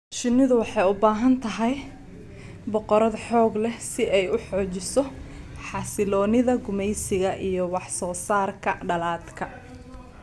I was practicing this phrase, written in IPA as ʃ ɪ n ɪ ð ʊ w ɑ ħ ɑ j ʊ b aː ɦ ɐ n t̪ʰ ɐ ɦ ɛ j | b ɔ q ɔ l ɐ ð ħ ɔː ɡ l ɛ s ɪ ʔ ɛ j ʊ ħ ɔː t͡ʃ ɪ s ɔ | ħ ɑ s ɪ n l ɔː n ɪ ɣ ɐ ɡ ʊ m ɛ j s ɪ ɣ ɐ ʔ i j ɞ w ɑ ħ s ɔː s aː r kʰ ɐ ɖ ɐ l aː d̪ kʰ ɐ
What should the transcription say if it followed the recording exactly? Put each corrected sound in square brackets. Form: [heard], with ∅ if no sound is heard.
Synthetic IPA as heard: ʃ ɪ n ɪ ð ʊ w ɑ ħ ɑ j ʊ b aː ɦ ɐ n t̪ʰ ɐ ɦ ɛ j | b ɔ q ɔ [ɾ] ɐ ð ħ ɔː ɡ l ɛ s ɪ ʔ ɛ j ʊ ħ ɔː t͡ʃ ɪ s ɔ | ħ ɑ s ɪ [∅] l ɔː n ɪ [ð] ɐ ɡ ʊ m ɛ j s ɪ ɣ ɐ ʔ i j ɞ w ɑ ħ s ɔː s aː r kʰ ɐ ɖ ɐ l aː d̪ kʰ ɐ